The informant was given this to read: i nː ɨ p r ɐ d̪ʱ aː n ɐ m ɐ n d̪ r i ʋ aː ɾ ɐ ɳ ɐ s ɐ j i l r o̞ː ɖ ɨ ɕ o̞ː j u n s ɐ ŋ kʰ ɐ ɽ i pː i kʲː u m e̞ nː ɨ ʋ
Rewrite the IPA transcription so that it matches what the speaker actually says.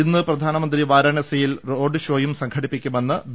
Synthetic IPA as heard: i nː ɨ p r ɐ d̪ʱ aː n ɐ m ɐ n d̪ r i ʋ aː ɾ ɐ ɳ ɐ s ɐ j i l r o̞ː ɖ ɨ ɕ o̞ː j u m s ɐ ŋ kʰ ɐ ɽ i pː i kʲː u m e̞ nː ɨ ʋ

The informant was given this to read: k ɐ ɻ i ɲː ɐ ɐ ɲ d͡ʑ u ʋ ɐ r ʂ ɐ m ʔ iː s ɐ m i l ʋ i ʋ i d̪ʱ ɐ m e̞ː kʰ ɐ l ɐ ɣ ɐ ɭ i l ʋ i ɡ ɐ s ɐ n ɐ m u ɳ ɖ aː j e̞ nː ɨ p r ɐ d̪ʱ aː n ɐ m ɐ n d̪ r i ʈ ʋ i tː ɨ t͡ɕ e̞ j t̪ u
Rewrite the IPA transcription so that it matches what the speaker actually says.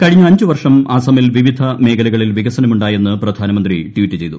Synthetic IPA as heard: k ɐ ɻ i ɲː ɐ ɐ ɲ d͡ʑ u ʋ ɐ r ʂ ɐ m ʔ aː s ɐ m i l ʋ i ʋ i d̪ʱ ɐ m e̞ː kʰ ɐ l ɐ ɣ ɐ ɭ i l ʋ i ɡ ɐ s ɐ n ɐ m u ɳ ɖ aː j e̞ nː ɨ p r ɐ d̪ʱ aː n ɐ m ɐ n d̪ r i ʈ ʋ i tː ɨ t͡ɕ e̞ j t̪ u

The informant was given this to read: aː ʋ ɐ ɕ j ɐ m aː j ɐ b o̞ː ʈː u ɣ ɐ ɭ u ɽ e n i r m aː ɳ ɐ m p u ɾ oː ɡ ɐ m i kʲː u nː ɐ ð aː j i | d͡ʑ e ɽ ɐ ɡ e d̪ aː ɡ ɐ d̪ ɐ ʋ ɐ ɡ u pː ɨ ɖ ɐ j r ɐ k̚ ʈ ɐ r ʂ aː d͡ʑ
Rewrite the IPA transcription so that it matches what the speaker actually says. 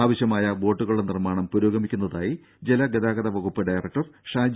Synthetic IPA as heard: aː ʋ ɐ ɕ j ɐ m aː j ɐ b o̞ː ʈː u ɣ ɐ ɭ u ɽ e n i r m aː ɳ ɐ m p u ɾ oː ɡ ɐ m i kʲː u nː ɐ ð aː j i | d͡ʑ e l ɐ ɡ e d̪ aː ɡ ɐ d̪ ɐ ʋ ɐ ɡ u pː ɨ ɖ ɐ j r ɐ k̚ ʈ ɐ r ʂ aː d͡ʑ

